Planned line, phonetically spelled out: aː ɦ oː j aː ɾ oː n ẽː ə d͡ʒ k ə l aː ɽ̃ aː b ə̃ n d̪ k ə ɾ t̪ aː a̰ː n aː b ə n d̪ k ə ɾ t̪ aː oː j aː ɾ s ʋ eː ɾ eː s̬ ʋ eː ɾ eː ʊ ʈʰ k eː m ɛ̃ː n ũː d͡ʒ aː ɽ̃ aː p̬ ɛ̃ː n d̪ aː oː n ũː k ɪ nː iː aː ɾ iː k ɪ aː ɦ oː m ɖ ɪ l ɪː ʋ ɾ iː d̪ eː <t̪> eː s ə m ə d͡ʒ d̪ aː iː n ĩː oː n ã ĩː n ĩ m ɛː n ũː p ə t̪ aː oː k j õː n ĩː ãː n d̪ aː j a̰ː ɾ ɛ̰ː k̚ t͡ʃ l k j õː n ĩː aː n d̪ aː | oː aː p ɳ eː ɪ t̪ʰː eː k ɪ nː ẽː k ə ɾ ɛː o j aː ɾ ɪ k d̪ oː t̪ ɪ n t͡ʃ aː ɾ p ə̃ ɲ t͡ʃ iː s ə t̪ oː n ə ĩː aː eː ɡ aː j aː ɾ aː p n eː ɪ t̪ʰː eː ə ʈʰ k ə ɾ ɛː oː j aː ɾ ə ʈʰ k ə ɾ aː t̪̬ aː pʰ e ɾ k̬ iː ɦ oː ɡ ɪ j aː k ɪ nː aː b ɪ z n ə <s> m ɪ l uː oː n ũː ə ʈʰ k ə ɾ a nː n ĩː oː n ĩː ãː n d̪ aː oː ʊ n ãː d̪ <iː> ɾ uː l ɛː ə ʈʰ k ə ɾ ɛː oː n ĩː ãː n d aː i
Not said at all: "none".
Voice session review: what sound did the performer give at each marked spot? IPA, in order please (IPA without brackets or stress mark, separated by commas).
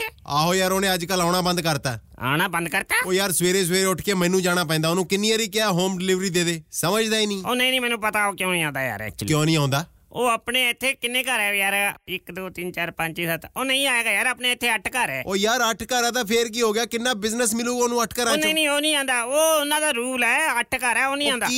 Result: d̪, s, aː